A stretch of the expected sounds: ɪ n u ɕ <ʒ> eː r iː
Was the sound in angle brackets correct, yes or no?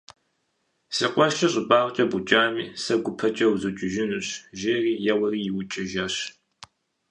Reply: yes